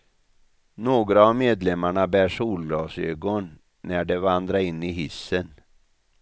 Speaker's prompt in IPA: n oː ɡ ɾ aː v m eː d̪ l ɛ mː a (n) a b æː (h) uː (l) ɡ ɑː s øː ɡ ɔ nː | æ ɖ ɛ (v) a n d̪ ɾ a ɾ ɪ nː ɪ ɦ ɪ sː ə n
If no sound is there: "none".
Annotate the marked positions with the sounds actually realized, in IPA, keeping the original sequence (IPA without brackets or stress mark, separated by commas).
ɳ, ʂ, l, v